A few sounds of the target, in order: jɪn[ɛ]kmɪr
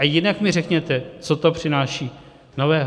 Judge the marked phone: incorrect: a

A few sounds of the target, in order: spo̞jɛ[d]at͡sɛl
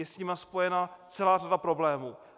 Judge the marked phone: incorrect: n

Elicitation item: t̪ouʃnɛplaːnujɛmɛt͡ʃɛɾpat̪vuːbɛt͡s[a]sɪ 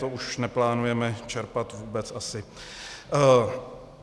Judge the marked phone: correct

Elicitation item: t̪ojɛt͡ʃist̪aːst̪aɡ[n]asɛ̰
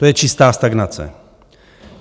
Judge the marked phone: correct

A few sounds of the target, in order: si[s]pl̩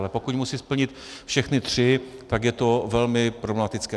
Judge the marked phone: correct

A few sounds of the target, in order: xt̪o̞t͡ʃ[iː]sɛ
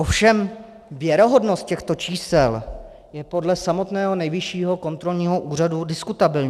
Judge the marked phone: correct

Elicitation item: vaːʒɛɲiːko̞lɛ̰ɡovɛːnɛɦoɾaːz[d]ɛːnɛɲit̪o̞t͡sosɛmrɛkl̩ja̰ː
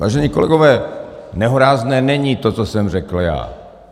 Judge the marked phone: incorrect: n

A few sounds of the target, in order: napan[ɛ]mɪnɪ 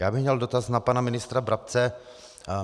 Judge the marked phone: incorrect: a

